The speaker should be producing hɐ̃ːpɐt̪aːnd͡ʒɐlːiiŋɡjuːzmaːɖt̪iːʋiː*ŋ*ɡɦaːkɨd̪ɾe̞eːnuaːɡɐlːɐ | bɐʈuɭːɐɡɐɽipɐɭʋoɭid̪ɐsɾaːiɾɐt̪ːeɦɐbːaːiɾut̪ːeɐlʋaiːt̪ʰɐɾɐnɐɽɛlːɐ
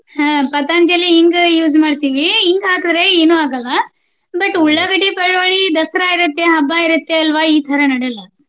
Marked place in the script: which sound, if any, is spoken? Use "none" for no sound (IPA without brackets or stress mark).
ŋ